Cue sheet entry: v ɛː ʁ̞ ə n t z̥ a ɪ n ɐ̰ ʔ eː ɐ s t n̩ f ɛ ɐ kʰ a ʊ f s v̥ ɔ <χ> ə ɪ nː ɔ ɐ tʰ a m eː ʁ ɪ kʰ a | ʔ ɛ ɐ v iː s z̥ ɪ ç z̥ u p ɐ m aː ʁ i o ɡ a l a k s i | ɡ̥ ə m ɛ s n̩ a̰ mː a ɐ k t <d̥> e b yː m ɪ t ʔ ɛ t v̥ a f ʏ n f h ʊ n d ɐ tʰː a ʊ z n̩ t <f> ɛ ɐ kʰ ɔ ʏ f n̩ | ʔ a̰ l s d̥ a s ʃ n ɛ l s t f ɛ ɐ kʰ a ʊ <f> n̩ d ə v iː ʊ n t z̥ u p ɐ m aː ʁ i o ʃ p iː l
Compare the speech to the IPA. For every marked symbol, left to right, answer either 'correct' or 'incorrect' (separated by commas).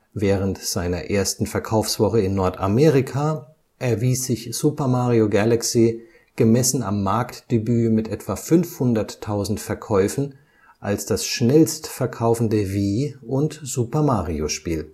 correct, correct, correct, correct